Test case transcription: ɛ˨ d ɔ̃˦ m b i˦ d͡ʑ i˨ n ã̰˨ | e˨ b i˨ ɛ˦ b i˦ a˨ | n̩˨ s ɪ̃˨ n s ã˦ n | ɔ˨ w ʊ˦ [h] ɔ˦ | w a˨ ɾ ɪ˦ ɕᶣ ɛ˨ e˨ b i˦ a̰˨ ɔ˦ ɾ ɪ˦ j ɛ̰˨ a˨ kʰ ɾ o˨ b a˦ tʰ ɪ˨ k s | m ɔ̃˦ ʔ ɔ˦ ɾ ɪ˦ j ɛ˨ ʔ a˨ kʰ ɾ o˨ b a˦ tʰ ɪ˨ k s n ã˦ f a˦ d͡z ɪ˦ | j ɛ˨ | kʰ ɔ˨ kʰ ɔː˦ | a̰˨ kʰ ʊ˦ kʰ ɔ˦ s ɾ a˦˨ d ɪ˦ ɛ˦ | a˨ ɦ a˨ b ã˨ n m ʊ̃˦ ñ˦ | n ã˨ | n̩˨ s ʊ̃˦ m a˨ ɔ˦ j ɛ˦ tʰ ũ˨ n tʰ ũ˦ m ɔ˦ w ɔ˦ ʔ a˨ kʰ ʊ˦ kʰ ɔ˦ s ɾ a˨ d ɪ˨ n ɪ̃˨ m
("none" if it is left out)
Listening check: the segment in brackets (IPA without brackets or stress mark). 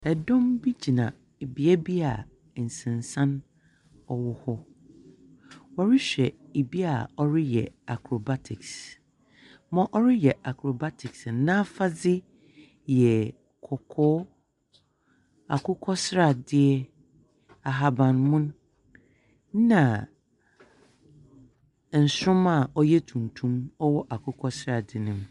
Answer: h